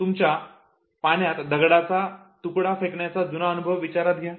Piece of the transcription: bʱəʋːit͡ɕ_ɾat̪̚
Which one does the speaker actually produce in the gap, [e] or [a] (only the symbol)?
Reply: a